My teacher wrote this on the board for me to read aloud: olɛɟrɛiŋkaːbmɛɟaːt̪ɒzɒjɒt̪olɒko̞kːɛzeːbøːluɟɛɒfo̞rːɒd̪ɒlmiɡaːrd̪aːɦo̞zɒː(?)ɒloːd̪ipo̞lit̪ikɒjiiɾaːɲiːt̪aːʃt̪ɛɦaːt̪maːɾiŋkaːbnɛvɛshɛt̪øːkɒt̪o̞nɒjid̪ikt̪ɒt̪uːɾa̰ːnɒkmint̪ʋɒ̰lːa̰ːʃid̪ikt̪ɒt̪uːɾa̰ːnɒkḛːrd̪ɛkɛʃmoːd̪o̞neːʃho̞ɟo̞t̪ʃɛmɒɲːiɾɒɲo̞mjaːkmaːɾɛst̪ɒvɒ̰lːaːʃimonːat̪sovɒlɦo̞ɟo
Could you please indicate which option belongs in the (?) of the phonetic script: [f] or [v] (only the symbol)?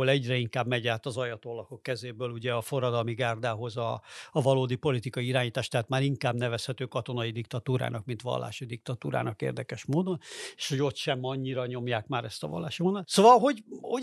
v